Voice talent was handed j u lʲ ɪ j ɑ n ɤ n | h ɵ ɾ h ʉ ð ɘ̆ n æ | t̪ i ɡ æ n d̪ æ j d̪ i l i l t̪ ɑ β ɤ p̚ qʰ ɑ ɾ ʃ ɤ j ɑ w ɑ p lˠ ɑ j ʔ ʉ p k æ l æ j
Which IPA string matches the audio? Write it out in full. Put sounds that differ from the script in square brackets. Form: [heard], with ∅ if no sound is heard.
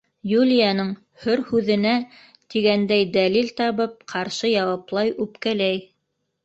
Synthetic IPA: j u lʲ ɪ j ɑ n ɤ [ɴ] | h ɵ ɾ h ʉ ð ɘ̆ n æ | t̪ i ɡ æ n d̪ æ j d̪ [æ] l i l t̪ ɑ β ɤ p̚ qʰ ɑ ɾ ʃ ɤ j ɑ w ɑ p lˠ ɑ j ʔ ʉ p k æ l æ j